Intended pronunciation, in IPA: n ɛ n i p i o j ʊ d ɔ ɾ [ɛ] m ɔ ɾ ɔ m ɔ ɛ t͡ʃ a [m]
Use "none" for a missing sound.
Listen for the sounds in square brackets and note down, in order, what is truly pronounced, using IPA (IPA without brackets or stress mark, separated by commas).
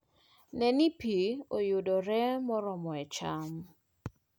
ɛ, m